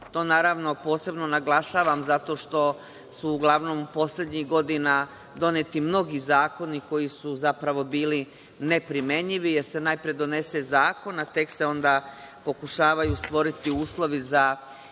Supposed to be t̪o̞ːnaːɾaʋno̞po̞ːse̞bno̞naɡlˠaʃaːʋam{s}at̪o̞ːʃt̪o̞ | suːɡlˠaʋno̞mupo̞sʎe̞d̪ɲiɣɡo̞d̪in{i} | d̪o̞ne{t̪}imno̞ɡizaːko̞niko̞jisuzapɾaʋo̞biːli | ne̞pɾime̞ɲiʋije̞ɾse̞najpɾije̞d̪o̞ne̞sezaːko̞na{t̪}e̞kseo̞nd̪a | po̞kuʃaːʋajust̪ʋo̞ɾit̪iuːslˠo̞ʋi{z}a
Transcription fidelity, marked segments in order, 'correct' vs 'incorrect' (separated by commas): incorrect, incorrect, correct, correct, correct